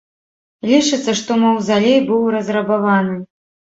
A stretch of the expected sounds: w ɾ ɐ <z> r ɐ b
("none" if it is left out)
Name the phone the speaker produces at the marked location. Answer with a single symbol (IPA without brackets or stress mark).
z